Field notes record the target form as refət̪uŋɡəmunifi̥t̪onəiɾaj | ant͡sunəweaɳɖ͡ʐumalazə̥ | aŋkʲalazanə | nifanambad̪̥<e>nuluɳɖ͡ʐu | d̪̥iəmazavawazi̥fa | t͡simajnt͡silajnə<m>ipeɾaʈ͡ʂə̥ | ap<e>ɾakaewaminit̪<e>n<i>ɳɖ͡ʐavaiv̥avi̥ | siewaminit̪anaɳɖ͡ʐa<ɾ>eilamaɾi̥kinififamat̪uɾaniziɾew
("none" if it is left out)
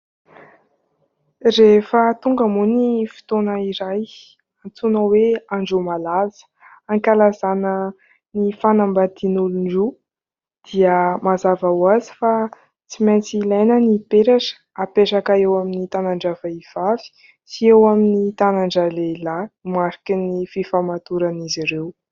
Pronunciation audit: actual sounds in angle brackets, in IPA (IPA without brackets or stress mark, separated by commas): i, n, e, a, a, l